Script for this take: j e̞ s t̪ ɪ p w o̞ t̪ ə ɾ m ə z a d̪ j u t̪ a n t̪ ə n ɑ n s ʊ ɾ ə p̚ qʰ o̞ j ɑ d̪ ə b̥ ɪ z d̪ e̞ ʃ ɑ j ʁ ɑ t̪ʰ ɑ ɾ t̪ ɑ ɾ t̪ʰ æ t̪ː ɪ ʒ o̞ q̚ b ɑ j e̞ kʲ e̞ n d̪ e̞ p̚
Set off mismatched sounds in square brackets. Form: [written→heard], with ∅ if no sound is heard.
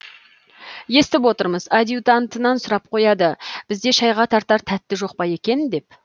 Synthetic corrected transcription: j e̞ s t̪ ɪ p w o̞ t̪ ə ɾ m ə z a d̪ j u t̪ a n t̪ ə n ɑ n s ʊ ɾ [ə→ɑ] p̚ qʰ o̞ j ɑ d̪ ə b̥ ɪ z d̪ e̞ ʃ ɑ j ʁ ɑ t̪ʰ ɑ ɾ t̪ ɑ ɾ t̪ʰ æ t̪ː ɪ ʒ o̞ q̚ [b→p] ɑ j e̞ kʲ e̞ n d̪ e̞ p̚

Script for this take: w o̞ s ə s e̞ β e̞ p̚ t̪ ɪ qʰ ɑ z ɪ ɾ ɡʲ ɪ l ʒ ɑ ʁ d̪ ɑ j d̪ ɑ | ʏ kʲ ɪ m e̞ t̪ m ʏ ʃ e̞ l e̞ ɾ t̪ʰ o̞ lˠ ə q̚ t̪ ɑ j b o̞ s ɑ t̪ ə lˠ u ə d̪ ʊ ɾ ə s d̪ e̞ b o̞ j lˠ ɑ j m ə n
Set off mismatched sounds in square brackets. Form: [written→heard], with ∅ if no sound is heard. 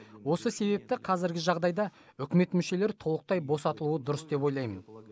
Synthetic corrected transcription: w o̞ s ə s e̞ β e̞ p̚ t̪ ɪ qʰ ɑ z ɪ ɾ ɡʲ ɪ [l→∅] ʒ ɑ ʁ d̪ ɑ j d̪ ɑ | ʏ kʲ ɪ m e̞ t̪ m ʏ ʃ e̞ l e̞ ɾ t̪ʰ o̞ lˠ ə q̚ t̪ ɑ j b o̞ s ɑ t̪ ə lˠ u ə d̪ ʊ ɾ ə s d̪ e̞ [b→p] o̞ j lˠ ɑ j m ə n

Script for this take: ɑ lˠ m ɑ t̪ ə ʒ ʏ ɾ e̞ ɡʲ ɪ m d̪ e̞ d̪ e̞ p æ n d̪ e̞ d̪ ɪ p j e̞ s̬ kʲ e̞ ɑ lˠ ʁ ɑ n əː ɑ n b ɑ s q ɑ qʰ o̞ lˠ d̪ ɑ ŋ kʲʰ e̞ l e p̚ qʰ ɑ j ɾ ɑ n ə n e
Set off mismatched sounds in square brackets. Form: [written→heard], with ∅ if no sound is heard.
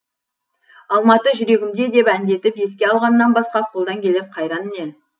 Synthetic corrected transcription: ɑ lˠ m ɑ t̪ ə ʒ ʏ ɾ e̞ ɡʲ ɪ m d̪ e̞ d̪ e̞ p æ n d̪ e̞ [d̪→t̪] ɪ p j e̞ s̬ kʲ e̞ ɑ lˠ ʁ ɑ n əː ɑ n b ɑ s q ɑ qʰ o̞ lˠ d̪ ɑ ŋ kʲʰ e̞ l e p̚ qʰ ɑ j ɾ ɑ n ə n e

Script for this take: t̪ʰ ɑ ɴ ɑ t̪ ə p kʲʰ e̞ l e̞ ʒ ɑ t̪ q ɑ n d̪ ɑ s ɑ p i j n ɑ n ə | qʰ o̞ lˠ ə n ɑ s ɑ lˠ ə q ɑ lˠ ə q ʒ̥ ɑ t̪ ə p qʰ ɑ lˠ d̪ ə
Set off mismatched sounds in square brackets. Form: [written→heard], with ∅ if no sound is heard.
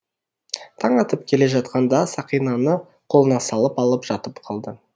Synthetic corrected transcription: t̪ʰ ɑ ɴ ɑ t̪ ə p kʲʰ e̞ l e̞ ʒ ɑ t̪ q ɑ n d̪ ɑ s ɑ [p→q] i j n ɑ n ə | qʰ o̞ lˠ ə n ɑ s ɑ lˠ ə [q→p] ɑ lˠ ə [q→p] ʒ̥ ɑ t̪ ə p qʰ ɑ lˠ d̪ ə

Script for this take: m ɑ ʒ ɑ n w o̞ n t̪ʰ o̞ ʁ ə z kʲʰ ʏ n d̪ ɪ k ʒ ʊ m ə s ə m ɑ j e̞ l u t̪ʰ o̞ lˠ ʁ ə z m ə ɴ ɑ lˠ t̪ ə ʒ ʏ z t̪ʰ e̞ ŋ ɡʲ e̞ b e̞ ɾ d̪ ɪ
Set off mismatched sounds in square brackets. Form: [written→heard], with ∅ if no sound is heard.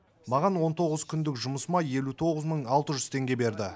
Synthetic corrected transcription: m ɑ [ʒ→ʁ] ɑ n w o̞ n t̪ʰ o̞ ʁ ə z kʲʰ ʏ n d̪ ɪ k ʒ ʊ m ə s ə m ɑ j e̞ l u t̪ʰ o̞ [lˠ→∅] ʁ ə z m ə ɴ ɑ lˠ t̪ ə ʒ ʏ z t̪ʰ e̞ ŋ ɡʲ e̞ b e̞ ɾ d̪ ɪ

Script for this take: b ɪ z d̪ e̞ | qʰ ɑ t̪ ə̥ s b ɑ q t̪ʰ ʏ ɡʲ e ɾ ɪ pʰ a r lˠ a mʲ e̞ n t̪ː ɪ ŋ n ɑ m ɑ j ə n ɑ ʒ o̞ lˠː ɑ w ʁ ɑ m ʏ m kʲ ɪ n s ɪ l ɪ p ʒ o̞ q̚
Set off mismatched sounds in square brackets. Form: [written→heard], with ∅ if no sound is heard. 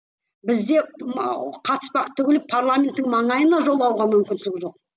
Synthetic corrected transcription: b ɪ z d̪ e̞ | qʰ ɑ t̪ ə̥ s [b→p] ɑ q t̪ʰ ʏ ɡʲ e [ɾ→l] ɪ pʰ a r lˠ a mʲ e̞ n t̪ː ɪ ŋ [n→m] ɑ [m→ɴ] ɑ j ə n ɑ ʒ o̞ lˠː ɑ w ʁ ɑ m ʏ m kʲ ɪ n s ɪ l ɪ [p→k] ʒ o̞ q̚

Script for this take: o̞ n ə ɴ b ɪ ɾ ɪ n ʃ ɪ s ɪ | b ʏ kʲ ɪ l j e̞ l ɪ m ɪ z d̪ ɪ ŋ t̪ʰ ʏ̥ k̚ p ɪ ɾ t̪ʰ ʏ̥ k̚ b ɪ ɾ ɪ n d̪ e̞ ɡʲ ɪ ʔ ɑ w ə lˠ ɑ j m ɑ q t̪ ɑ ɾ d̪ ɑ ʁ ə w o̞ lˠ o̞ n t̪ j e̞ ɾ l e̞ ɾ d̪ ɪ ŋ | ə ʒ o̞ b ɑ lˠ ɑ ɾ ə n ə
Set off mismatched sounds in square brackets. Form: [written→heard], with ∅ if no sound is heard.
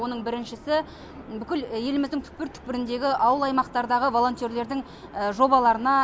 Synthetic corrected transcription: o̞ n ə ɴ b ɪ ɾ ɪ n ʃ ɪ s ɪ | b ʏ kʲ ɪ l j e̞ l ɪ m ɪ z d̪ ɪ ŋ t̪ʰ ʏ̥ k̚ p ɪ ɾ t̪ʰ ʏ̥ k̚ [b→p] ɪ ɾ ɪ n d̪ e̞ ɡʲ ɪ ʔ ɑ w ə lˠ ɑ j m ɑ q t̪ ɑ ɾ d̪ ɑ ʁ ə [w→v] o̞ lˠ o̞ n t̪ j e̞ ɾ l e̞ ɾ d̪ ɪ ŋ | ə ʒ o̞ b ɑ lˠ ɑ ɾ ə n [ə→ɑ]

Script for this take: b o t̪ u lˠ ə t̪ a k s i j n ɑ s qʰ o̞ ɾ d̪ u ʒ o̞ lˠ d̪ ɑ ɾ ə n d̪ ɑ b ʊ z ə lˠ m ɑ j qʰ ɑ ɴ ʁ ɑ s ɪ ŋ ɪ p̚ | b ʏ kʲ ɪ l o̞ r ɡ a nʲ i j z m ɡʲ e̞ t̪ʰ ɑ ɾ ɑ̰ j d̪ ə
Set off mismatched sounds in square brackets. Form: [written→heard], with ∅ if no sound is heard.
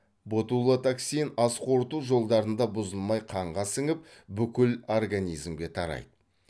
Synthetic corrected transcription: b o t̪ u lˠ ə t̪ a k s i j n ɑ s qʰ o̞ ɾ [d̪→t̪] u ʒ o̞ lˠ d̪ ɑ ɾ ə n d̪ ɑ b ʊ z ə lˠ m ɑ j qʰ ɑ ɴ ʁ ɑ s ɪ ŋ ɪ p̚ | b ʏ kʲ ɪ l o̞ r ɡ a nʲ i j z m ɡʲ e̞ t̪ʰ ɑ ɾ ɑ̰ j d̪ ə

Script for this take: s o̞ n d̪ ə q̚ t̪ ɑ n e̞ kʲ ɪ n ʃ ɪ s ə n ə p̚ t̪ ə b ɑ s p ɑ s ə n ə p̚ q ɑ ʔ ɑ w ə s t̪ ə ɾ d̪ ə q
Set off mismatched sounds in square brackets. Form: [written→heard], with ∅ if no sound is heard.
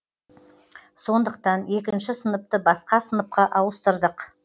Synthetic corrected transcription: s o̞ n d̪ ə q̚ t̪ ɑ n e̞ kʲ ɪ n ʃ ɪ s ə n ə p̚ t̪ ə b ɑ s [p→q] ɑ s ə n ə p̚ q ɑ ʔ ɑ w ə s t̪ ə ɾ d̪ ə q

